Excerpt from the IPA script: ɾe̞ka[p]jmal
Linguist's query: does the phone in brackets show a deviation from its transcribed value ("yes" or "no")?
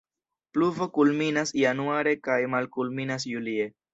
yes